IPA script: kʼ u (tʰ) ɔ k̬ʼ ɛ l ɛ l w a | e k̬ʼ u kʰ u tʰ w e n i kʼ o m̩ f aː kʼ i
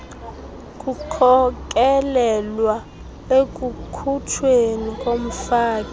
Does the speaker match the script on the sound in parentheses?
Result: no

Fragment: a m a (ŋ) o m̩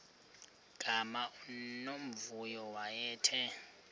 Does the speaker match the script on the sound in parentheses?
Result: no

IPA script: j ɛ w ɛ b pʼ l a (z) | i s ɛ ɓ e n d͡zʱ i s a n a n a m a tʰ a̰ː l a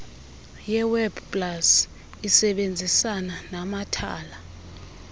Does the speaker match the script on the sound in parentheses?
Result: no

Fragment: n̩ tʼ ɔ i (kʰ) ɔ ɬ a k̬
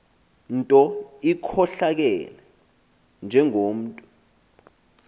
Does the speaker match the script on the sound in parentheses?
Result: yes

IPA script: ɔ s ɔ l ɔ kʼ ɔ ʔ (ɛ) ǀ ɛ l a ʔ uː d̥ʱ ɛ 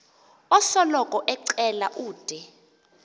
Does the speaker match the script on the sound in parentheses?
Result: yes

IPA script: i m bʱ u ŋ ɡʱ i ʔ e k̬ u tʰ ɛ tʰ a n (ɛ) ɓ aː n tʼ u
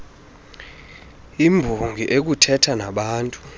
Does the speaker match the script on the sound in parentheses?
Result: no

